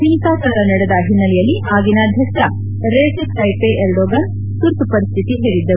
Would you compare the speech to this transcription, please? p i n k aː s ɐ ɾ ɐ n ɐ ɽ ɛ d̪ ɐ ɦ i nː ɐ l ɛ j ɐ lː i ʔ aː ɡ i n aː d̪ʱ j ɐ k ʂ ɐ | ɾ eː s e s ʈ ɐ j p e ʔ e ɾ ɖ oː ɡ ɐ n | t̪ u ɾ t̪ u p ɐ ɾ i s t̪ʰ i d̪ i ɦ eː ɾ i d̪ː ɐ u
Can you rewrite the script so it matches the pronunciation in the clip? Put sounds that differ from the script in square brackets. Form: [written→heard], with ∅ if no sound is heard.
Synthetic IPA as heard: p i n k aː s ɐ ɾ ɐ n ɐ ɽ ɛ d̪ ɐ ɦ i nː ɐ l ɛ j ɐ lː i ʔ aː ɡ i n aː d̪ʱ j ɐ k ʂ ɐ | ɾ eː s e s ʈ ɐ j p e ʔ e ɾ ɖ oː ɡ ɐ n | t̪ u ɾ t̪ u p ɐ ɾ i s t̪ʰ i [d̪→t̪] i ɦ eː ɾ i d̪ː ɐ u